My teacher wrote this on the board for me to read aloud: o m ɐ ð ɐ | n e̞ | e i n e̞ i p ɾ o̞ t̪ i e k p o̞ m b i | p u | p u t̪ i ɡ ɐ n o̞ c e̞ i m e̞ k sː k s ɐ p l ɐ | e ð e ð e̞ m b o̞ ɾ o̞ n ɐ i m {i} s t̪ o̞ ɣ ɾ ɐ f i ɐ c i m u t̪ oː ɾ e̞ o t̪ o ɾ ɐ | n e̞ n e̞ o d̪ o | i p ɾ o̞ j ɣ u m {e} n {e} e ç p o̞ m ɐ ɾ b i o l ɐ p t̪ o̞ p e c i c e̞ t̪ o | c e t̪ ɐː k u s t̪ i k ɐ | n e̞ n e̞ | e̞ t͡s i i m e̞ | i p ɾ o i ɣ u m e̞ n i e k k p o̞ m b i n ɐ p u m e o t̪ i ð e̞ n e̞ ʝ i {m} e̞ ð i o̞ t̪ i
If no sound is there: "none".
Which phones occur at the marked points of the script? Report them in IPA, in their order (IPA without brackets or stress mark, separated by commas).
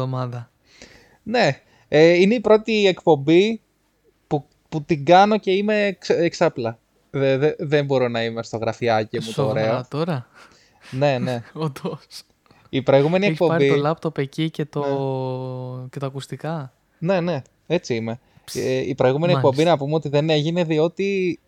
e, e, i, n